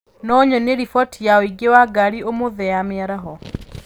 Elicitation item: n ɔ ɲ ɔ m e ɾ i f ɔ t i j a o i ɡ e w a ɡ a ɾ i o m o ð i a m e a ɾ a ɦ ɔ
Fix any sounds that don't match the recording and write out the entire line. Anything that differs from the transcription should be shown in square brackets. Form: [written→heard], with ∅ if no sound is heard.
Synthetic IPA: n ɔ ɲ ɔ [m→n] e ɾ i f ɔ t i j a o i ɡ e w a ɡ a ɾ i o m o ð [i→ɛ] a m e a ɾ a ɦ ɔ